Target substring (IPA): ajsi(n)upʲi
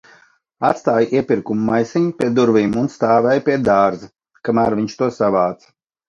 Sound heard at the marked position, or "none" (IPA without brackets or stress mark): ɲ